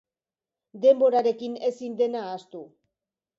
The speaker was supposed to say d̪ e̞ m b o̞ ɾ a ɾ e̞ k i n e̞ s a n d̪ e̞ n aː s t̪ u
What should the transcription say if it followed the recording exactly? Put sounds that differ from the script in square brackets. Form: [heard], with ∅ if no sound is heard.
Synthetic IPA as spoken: d̪ e̞ m b o̞ ɾ a ɾ e̞ k i n e̞ s [i] n d̪ e̞ n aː s t̪ u